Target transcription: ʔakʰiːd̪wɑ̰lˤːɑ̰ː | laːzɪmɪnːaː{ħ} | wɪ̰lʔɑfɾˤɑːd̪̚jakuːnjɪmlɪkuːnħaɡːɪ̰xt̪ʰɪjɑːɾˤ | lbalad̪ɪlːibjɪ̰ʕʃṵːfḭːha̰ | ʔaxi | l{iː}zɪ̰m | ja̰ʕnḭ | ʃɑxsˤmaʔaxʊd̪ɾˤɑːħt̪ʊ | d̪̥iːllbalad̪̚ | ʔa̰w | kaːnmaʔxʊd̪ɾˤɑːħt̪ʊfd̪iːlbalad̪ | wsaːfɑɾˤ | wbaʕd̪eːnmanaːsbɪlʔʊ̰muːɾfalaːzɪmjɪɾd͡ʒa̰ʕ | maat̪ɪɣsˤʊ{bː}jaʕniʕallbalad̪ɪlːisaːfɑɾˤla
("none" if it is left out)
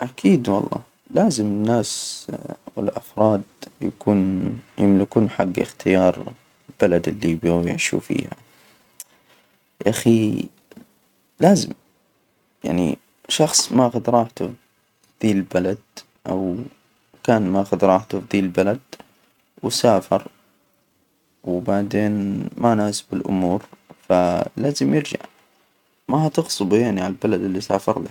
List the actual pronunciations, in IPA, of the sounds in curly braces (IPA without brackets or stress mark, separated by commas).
s, aː, b